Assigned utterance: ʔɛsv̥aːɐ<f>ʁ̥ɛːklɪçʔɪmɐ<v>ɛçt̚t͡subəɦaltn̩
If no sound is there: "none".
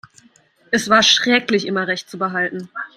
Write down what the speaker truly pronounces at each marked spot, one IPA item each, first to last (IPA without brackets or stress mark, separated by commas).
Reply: ʃ, ʁ